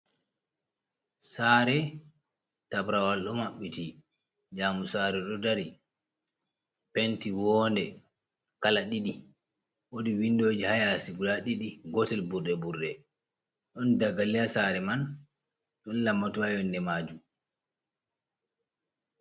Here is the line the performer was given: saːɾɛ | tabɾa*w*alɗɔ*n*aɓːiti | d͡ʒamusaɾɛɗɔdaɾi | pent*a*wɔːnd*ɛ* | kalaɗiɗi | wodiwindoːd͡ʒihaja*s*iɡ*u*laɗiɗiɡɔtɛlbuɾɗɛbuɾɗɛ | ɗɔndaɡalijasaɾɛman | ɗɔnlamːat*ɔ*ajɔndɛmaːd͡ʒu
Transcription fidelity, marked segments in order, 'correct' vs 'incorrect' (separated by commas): correct, incorrect, incorrect, correct, correct, correct, incorrect